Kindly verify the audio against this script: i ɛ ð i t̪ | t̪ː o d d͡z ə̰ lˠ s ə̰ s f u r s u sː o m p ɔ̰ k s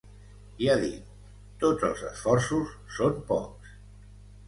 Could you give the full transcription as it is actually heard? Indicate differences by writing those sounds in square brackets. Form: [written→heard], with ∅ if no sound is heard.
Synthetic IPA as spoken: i [ɛ→a] ð i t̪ | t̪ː o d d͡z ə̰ lˠ [s→z] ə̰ s f [u→ɔ] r s u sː o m p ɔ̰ k s

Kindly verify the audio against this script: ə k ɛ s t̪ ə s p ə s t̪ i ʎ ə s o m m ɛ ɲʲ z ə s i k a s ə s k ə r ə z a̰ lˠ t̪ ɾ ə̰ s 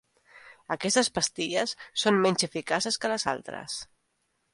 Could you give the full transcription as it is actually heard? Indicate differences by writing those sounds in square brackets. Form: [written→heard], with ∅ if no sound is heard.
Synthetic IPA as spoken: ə k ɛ s t̪ ə s p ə s t̪ i ʎ ə [s→sː] o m m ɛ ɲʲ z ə [s→f] i k a s ə s k ə [r→l] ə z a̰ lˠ t̪ ɾ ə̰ s

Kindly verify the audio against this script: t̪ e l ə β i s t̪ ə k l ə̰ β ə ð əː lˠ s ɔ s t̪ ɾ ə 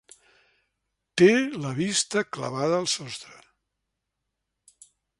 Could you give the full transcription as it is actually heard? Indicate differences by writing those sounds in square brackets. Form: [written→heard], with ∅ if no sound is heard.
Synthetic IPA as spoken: t̪ e l ə β i s t̪ ə k l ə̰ β [ə→a] ð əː lˠ s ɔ s t̪ ɾ ə

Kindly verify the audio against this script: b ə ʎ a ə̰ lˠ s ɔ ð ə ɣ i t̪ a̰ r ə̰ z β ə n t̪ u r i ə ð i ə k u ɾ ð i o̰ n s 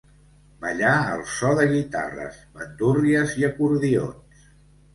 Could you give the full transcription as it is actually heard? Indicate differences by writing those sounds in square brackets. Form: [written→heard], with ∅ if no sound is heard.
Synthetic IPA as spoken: b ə ʎ a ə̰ lˠ s ɔ ð ə ɣ i t̪ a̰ r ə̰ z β ə n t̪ u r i ə [ð→z] i ə k u ɾ ð i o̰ n s

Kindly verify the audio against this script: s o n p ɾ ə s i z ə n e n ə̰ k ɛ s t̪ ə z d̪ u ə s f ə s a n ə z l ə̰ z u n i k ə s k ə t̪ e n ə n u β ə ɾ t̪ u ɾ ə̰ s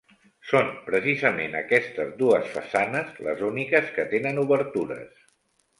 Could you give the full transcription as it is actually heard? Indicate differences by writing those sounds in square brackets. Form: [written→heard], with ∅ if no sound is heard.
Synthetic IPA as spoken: s o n p ɾ ə s i z ə [n→m] e n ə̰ k ɛ s t̪ ə z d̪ u ə s f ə s a n ə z l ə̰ z u n i k ə s k ə t̪ e n ə n u β ə ɾ t̪ u ɾ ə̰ s

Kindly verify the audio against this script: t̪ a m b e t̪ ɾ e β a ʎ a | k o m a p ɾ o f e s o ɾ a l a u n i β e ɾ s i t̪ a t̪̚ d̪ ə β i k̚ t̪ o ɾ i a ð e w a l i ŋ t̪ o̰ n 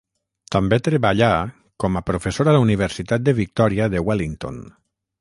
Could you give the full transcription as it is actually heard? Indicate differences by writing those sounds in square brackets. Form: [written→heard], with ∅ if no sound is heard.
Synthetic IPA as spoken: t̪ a m b e t̪ ɾ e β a ʎ a | k [o→ɔ] m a p ɾ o f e s o ɾ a l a u n i β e ɾ s i t̪ a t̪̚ d̪ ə β i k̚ t̪ [o→ɔ] ɾ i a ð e w a l i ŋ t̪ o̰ n

